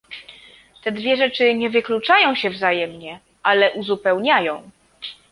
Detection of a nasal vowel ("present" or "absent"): present